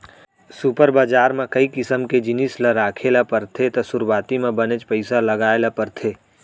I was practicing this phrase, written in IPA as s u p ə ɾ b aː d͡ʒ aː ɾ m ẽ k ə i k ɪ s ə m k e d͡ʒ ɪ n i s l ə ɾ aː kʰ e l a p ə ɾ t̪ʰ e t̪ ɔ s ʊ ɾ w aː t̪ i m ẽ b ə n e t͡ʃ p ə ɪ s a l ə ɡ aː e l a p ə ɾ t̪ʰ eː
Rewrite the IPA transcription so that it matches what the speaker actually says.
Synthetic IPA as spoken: s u p ə ɾ b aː d͡ʒ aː ɾ m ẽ k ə i k ɪ s ə m k e d͡ʒ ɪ n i s l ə ɾ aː kʰ e l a p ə ɾ t̪ʰ e t̪ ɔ s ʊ ɾ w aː t̪ i m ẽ b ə n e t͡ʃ p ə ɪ s a l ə ɡ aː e l a p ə ɾ t̪ʰ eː